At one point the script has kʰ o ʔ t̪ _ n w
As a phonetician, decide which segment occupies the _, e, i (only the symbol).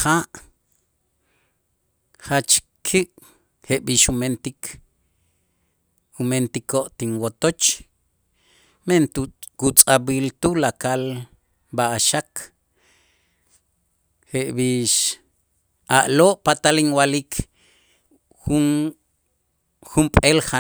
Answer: i